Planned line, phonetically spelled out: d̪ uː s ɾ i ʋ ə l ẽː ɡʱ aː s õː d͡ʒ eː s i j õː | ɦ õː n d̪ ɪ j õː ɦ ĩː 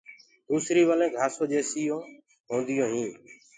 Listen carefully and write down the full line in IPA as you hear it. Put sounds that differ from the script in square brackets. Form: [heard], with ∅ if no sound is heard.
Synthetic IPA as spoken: d̪ uː s ɾ [iː] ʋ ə l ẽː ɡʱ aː s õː d͡ʒ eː s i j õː | ɦ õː n d̪ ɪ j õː ɦ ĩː

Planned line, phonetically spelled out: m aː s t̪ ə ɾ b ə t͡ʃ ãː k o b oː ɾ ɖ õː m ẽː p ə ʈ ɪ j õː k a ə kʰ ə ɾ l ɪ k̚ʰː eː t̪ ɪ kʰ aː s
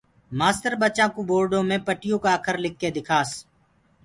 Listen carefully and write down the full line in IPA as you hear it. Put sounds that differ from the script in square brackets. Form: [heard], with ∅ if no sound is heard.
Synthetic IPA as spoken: m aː s t̪ ə ɾ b ə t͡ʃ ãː k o b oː ɾ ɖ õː m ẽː p ə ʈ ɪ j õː k a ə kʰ ə ɾ l ɪ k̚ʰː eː [d̪] ɪ kʰ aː s

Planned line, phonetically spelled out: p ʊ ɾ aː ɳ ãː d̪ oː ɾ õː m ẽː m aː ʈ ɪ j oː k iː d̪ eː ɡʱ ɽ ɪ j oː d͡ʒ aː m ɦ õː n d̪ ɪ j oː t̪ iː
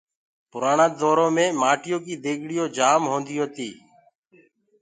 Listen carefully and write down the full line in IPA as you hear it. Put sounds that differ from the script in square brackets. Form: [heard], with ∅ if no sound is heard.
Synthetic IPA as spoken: p ʊ ɾ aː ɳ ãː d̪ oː ɾ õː m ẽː m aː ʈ ɪ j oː k iː d̪ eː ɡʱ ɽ ɪ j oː d͡ʒ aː m ɦ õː n d̪ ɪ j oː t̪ iː

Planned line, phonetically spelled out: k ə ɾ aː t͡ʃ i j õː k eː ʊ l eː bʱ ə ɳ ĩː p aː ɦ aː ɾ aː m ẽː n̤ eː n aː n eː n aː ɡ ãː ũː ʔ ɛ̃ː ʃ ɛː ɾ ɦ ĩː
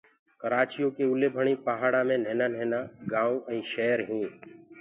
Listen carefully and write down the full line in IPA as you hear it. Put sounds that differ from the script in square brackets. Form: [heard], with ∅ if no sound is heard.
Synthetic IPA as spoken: k ə ɾ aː t͡ʃ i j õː k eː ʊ l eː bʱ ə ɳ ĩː p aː ɦ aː [ɽ] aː m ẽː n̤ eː n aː n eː n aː ɡ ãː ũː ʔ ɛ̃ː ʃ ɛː ɾ ɦ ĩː

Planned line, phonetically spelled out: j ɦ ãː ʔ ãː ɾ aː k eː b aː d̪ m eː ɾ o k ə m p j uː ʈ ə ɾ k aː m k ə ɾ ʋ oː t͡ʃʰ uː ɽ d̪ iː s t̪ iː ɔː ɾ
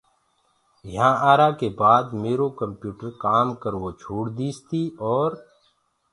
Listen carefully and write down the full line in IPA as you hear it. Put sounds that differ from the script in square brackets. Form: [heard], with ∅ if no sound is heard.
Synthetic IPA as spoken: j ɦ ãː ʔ [aː] ɾ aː k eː b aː d̪ m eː ɾ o k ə m p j uː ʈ ə ɾ k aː m k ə ɾ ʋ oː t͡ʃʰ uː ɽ d̪ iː s t̪ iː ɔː ɾ

